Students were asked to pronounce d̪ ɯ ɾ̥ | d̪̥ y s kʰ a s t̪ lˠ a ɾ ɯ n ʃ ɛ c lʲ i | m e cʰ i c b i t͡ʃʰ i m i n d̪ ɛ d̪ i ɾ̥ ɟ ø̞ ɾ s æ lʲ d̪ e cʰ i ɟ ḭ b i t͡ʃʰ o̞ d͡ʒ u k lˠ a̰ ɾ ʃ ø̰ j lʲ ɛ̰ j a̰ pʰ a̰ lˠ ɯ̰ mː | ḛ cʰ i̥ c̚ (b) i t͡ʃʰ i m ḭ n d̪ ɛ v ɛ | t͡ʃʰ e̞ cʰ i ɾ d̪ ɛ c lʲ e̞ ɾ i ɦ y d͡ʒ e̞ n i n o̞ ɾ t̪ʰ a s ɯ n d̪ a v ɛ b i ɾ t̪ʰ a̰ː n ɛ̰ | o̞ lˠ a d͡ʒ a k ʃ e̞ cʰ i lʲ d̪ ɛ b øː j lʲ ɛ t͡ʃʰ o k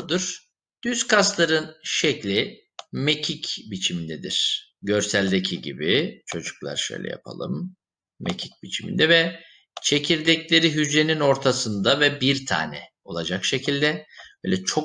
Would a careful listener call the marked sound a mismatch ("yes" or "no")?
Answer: no